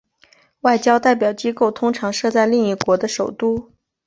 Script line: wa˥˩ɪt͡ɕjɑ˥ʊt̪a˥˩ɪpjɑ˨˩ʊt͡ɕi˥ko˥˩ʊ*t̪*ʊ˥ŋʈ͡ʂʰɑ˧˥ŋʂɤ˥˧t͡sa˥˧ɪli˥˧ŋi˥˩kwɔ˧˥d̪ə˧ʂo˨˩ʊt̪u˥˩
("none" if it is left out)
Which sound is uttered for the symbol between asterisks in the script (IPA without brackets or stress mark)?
t̪ʰ